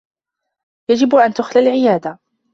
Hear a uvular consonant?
no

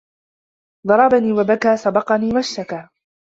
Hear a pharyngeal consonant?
no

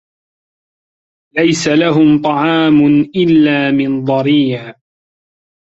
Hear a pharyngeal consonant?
yes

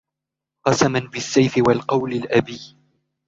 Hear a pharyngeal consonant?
no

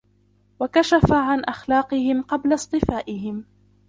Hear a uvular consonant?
yes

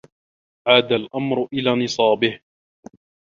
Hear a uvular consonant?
no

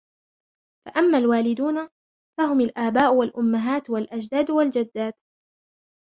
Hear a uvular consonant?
no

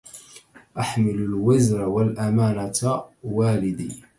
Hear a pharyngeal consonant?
yes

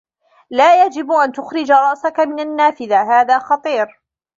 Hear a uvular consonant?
no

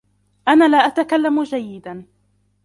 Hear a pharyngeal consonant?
no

